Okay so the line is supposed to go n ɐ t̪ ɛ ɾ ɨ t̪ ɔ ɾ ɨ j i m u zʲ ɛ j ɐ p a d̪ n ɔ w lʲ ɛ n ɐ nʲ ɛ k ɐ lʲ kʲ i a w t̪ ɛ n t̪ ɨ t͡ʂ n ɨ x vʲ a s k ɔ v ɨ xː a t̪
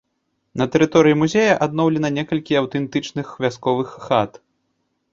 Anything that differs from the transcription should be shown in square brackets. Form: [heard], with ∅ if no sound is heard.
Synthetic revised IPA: n ɐ t̪ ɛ ɾ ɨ t̪ ɔ ɾ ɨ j i m u zʲ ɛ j ɐ [ʔ] a d̪ n ɔ w lʲ ɛ n ɐ nʲ ɛ k ɐ lʲ kʲ i a w t̪ ɛ n t̪ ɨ t͡ʂ n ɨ x vʲ a s k ɔ v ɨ xː a t̪

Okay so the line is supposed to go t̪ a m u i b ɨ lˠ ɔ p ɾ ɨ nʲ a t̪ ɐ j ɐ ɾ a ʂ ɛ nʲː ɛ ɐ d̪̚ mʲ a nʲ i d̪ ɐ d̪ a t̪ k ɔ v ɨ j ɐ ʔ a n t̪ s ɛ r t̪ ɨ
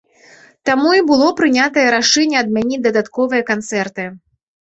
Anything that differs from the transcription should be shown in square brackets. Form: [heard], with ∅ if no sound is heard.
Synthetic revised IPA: t̪ a m u i b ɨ lˠ ɔ p ɾ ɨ nʲ a t̪ ɐ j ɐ ɾ a ʂ ɛ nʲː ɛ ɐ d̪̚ mʲ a nʲ i d̪ ɐ d̪ a t̪ k ɔ v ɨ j ɐ [k] a n t̪ s ɛ r t̪ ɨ

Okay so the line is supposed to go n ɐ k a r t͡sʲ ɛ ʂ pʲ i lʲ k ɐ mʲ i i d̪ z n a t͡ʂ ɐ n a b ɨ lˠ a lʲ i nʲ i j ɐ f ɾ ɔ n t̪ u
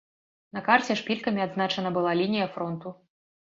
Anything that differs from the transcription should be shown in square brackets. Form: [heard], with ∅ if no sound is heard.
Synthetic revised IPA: n ɐ k a r t͡sʲ ɛ ʂ pʲ i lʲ k ɐ mʲ i [a] d̪ z n a t͡ʂ ɐ n [ɐ] b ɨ lˠ a lʲ i nʲ i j ɐ f ɾ ɔ n t̪ u

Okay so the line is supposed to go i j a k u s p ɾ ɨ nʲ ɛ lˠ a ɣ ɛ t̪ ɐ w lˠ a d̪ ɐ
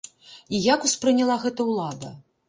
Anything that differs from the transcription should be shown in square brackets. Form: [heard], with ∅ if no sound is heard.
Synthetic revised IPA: i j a k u s p ɾ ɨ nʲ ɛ lˠ a ɣ ɛ t̪ ɐ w lˠ a d̪ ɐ

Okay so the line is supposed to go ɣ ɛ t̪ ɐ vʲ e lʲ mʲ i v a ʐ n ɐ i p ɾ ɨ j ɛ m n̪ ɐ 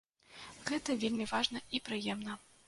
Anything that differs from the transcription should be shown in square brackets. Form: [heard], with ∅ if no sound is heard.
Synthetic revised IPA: ɣ ɛ t̪ ɐ vʲ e lʲ mʲ i v a ʐ n ɐ i p ɾ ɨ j ɛ m n̪ ɐ

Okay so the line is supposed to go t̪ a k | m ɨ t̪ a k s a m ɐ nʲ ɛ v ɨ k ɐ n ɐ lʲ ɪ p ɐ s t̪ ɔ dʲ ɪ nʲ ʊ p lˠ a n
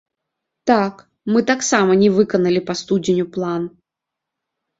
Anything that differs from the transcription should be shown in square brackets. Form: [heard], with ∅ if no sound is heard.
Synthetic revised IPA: t̪ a k | m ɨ t̪ a k s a m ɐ nʲ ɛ v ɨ k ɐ n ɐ lʲ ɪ p ɐ s t̪ [u] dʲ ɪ nʲ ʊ p lˠ a n

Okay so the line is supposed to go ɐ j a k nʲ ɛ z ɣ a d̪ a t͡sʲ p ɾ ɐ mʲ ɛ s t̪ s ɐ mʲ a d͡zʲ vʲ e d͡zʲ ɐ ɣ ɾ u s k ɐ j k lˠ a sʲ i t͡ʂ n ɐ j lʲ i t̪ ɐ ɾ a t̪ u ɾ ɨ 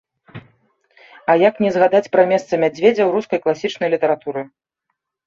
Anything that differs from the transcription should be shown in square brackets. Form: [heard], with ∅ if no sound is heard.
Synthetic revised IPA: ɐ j a k nʲ ɛ z ɣ a d̪ a t͡sʲ p ɾ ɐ mʲ ɛ s t̪ s ɐ mʲ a d͡zʲ vʲ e d͡zʲ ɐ [w] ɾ u s k ɐ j k lˠ a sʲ i t͡ʂ n ɐ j lʲ i t̪ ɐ ɾ a t̪ u ɾ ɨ

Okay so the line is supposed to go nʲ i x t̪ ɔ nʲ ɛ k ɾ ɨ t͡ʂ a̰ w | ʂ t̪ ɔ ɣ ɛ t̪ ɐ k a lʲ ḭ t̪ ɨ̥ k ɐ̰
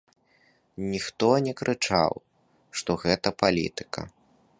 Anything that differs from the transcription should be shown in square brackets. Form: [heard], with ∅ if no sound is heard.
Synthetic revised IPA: nʲ i x t̪ ɔ nʲ ɛ k ɾ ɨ t͡ʂ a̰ w | ʂ t̪ ɔ ɣ ɛ t̪ ɐ [p] a lʲ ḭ t̪ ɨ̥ k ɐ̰

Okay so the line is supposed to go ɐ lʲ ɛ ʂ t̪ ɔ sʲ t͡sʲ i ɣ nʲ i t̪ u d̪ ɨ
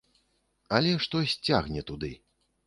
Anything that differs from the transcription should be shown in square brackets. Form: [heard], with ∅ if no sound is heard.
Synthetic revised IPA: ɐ lʲ ɛ ʂ t̪ ɔ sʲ t͡sʲ [a] ɣ nʲ [ɛ] t̪ u d̪ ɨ

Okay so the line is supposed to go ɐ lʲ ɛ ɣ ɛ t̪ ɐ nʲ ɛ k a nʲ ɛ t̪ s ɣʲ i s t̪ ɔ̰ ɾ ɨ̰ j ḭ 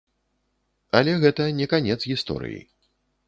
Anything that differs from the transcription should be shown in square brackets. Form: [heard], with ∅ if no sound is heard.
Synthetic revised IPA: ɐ lʲ ɛ ɣ ɛ t̪ ɐ nʲ ɛ k a nʲ ɛ t̪ s ɣʲ i s t̪ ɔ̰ ɾ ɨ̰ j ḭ

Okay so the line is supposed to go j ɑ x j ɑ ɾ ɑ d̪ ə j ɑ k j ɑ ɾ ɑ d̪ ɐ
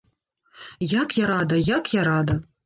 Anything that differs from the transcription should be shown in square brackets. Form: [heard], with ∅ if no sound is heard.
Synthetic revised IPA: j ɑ [k] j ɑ ɾ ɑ d̪ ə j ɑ k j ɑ ɾ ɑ d̪ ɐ

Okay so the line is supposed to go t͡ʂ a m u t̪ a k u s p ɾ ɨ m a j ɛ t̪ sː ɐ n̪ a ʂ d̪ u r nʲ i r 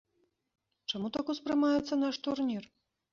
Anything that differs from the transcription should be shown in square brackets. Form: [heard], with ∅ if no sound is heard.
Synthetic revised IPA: t͡ʂ a m u t̪ a k u s p ɾ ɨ m a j ɛ t̪ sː ɐ n̪ a ʂ [t̪] u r nʲ i r

